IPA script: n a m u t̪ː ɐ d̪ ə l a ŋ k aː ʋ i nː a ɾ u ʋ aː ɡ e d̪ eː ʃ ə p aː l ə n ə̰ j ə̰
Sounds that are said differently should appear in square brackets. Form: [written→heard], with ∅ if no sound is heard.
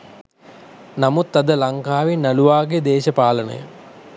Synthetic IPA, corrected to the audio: n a m u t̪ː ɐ d̪ ə l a ŋ k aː ʋ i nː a [ɾ→l] u ʋ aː ɡ e d̪ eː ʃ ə p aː l ə n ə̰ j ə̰